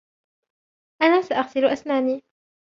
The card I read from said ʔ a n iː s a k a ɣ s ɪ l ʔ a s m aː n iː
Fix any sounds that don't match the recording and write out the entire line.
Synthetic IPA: ʔ a n aː s a ʔ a ɣ s ɪ l ʔ a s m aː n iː